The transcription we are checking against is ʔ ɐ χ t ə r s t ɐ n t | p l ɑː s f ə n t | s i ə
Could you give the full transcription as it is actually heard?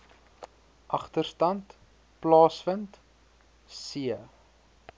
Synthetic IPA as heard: ʔ ɐ χ t ə r s t ɐ n t | p l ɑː s f ə n t | s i ə